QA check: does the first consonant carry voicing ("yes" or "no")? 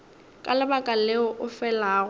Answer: no